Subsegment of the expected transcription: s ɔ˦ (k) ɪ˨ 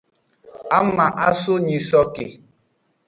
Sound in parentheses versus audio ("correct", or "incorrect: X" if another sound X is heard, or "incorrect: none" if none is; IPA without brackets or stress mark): correct